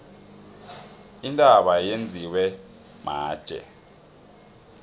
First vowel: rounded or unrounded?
unrounded